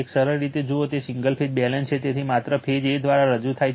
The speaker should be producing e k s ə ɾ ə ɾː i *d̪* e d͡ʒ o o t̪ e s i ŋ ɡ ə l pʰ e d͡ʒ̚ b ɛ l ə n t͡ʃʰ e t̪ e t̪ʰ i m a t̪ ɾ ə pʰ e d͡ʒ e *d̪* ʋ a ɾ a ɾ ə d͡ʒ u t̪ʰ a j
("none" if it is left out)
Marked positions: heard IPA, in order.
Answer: t̪, d̪

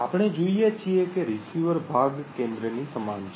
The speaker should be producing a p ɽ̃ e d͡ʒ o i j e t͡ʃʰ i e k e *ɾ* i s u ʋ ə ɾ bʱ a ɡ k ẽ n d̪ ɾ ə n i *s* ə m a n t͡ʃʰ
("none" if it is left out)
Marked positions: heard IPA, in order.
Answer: ɾ, s

